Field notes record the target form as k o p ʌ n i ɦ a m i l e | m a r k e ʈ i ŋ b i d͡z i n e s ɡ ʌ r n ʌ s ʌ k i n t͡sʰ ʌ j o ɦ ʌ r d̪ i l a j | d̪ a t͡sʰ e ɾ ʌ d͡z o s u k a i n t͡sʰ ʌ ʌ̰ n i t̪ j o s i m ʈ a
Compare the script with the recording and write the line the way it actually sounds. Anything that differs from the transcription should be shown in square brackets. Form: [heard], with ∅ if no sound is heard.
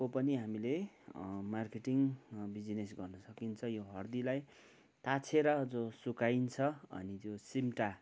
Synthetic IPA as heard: k o p ʌ n i ɦ a m i l e | m a r k e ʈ i ŋ b i d͡z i n e s ɡ ʌ r n ʌ s ʌ k i n t͡sʰ ʌ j o ɦ ʌ r d̪ i l a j | [t̪] a t͡sʰ e ɾ ʌ d͡z o s u k a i n t͡sʰ ʌ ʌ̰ n i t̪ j o s i m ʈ a